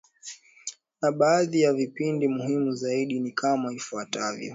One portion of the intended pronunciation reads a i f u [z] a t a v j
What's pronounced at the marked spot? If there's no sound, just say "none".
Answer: none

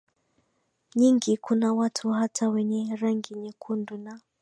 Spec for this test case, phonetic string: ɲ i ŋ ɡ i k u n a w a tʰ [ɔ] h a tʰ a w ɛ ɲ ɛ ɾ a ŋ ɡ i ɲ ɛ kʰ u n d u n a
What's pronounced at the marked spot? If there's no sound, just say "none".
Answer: u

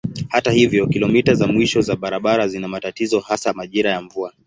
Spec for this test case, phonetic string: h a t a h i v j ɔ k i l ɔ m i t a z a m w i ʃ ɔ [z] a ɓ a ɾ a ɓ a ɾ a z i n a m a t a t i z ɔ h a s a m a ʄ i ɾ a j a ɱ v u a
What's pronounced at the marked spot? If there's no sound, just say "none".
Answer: z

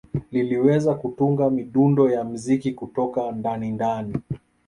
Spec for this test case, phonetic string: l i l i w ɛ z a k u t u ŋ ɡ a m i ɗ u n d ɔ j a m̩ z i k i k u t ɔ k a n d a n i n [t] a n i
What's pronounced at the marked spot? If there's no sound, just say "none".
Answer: d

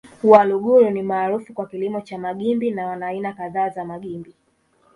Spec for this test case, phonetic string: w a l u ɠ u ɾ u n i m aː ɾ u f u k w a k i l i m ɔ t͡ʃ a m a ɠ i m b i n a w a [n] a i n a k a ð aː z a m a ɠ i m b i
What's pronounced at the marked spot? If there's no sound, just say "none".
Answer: n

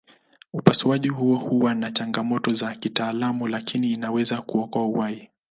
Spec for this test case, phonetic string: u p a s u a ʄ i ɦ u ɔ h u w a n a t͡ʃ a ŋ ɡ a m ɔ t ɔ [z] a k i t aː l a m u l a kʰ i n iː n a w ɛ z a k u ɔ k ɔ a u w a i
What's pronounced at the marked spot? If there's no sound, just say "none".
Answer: z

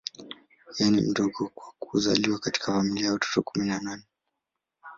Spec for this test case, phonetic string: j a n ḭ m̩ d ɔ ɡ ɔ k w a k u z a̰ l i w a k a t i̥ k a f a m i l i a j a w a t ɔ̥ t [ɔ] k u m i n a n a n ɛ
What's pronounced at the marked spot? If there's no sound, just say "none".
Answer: ɔ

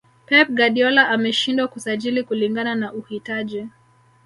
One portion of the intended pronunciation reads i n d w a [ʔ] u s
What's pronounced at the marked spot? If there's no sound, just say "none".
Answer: k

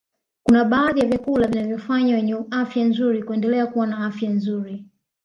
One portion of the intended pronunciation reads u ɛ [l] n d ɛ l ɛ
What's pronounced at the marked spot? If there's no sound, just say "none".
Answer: none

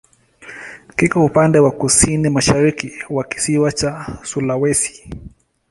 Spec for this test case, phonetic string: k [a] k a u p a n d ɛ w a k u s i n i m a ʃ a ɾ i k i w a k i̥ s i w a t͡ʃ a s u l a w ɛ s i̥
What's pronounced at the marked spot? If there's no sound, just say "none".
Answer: i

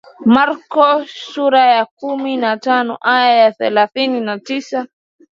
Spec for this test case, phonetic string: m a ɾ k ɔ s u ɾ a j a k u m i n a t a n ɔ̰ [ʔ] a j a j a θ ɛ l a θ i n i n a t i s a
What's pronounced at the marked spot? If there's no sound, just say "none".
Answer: ʔ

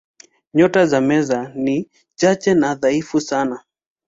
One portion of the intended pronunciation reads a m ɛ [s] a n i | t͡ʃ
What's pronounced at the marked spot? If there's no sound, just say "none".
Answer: z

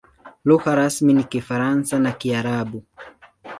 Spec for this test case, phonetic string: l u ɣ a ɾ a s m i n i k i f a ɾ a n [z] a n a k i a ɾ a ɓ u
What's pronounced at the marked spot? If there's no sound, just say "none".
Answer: s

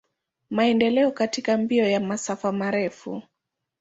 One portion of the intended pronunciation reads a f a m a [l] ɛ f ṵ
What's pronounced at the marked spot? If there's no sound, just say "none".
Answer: ɾ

